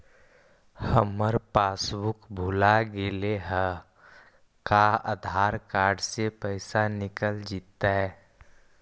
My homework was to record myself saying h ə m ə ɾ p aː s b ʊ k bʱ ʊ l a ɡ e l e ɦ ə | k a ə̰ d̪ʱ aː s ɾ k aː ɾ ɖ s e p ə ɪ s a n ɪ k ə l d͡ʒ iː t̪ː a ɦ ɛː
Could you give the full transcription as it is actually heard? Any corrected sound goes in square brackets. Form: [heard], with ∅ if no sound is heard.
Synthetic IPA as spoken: h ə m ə ɾ p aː s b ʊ k bʱ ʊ l a ɡ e l e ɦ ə | k a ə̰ d̪ʱ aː [∅] ɾ k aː ɾ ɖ s e p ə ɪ s a n ɪ k ə l d͡ʒ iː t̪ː a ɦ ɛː